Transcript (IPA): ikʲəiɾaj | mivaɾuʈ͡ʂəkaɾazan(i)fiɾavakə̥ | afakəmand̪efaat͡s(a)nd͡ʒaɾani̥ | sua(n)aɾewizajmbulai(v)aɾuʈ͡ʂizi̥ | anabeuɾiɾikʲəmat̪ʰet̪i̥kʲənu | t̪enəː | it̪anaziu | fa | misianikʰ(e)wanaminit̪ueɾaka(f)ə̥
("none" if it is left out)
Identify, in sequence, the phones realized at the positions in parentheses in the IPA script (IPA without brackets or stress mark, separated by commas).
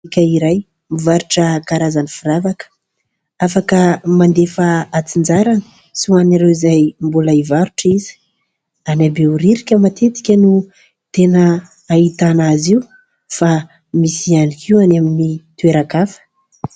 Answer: i, i, n, v, i, f